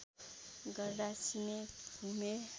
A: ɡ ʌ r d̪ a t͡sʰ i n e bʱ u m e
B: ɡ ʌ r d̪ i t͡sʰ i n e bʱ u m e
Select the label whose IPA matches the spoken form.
A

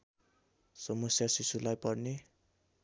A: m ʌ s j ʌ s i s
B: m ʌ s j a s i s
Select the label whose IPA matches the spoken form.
B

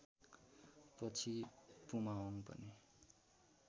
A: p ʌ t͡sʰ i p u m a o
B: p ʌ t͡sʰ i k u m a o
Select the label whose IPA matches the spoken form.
A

